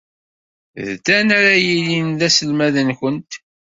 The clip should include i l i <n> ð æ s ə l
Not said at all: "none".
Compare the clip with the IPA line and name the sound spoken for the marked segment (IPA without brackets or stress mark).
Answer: n